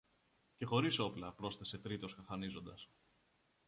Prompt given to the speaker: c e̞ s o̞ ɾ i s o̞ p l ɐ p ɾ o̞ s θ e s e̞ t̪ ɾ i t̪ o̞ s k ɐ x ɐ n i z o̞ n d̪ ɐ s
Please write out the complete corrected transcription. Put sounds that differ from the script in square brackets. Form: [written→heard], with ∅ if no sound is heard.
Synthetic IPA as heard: c e̞ [s→x] o̞ ɾ i s o̞ p l ɐ p ɾ o̞ s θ e s e̞ t̪ ɾ i t̪ o̞ s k ɐ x ɐ n i z o̞ n d̪ ɐ s